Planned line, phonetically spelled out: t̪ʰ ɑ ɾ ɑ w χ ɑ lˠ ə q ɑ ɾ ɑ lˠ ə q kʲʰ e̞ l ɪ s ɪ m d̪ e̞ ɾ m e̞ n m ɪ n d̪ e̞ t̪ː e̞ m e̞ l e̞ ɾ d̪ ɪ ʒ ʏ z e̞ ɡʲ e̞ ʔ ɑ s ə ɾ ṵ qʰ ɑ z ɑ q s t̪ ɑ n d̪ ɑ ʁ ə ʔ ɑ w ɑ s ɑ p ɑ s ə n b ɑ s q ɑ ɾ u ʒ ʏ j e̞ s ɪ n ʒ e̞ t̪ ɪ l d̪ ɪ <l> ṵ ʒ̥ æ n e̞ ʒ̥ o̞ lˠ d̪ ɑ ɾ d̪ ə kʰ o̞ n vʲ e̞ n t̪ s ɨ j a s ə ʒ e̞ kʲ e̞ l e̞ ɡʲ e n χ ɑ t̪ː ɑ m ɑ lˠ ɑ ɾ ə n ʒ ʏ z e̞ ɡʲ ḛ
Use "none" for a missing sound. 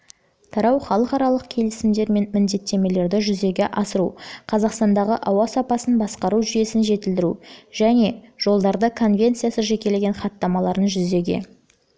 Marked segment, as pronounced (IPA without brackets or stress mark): ɾ